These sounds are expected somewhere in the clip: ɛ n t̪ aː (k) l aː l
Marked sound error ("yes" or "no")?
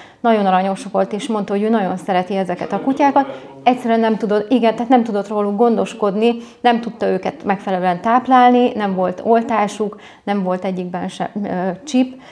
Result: yes